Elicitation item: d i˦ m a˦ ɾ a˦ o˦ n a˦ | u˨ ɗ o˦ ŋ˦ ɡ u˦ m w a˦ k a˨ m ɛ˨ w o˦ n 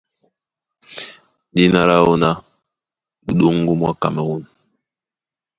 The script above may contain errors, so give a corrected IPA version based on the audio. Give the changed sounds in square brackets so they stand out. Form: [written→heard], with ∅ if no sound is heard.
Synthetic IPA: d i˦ [m→n] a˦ ɾ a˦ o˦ n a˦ | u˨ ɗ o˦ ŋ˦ ɡ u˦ m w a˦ k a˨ m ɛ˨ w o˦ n